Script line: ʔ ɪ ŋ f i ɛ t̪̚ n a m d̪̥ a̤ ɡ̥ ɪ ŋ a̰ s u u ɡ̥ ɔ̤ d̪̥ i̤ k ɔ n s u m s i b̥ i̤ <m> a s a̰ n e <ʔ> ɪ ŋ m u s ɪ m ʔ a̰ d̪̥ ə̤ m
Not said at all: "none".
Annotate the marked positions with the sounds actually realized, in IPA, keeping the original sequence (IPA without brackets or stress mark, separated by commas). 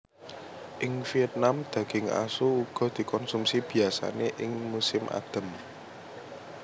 none, ʔ